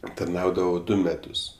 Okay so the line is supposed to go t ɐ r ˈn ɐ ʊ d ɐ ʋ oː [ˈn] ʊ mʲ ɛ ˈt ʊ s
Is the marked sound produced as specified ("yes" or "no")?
no